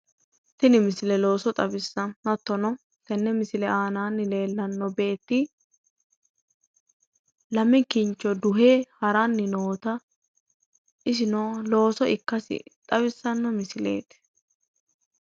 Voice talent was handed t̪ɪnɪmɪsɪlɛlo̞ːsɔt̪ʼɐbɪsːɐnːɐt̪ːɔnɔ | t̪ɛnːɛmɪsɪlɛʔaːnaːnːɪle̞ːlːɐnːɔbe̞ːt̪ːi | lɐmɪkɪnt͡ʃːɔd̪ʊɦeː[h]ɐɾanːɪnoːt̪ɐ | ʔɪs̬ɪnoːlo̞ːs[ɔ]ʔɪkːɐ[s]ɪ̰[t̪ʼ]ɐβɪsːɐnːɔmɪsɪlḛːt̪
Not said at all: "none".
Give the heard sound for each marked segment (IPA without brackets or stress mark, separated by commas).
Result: h, ɔ, s, t̪ʼ